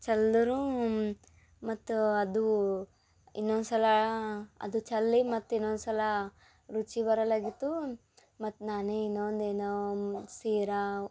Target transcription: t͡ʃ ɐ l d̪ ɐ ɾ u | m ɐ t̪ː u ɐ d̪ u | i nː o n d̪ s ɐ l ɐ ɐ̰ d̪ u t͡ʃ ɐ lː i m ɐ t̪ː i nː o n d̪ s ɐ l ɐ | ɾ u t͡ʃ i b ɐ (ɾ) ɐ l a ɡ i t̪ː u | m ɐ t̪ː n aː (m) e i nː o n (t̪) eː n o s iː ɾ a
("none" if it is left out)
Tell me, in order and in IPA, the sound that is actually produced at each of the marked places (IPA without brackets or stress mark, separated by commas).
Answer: ɾ, n, d̪